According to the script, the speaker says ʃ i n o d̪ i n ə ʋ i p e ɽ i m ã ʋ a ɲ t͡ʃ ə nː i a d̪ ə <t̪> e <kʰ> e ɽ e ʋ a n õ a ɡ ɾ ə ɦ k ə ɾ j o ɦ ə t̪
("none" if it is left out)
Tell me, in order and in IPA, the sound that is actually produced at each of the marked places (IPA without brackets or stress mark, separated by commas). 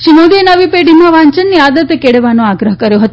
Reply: t̪, k